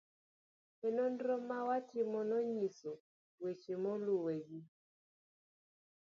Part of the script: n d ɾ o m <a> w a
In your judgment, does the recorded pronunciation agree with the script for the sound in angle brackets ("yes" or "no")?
yes